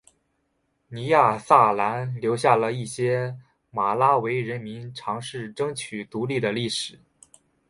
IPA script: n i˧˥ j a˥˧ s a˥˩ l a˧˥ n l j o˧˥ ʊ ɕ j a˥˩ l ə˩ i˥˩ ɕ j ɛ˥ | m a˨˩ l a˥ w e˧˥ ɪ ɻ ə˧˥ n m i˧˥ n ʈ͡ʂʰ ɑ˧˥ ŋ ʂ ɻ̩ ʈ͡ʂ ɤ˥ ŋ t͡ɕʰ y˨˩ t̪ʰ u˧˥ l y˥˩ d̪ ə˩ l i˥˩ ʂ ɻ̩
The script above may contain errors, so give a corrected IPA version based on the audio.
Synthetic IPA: n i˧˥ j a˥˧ s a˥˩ l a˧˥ n l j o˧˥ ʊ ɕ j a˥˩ l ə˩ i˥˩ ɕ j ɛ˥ | m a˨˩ l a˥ w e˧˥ ɪ ɻ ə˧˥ n m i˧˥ n ʈ͡ʂʰ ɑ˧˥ ŋ ʂ ɻ̩ ʈ͡ʂ ɤ˥ ŋ t͡ɕʰ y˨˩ t̪ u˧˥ l i˥˩ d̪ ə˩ l i˥˩ ʂ ɻ̩